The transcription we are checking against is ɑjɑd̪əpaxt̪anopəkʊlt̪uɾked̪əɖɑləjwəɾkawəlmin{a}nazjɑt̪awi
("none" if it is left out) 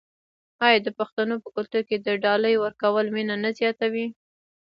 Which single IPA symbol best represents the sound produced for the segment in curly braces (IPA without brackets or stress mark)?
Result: a